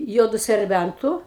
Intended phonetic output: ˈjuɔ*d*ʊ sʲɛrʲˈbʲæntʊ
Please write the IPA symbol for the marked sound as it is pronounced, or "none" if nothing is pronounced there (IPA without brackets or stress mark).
d